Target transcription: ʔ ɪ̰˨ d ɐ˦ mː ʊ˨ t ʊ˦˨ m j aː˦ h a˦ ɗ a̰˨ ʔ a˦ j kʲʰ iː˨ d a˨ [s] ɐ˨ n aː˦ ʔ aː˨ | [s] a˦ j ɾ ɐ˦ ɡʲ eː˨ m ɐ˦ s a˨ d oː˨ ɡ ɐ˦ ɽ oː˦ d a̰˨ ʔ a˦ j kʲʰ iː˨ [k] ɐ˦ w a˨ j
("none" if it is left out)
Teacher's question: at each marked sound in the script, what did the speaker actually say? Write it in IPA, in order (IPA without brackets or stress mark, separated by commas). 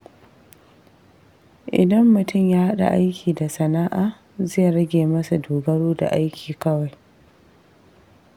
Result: s, z, k